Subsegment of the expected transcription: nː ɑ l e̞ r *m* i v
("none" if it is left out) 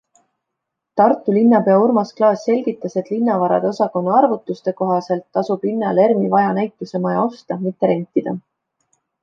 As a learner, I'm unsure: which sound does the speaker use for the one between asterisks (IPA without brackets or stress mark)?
m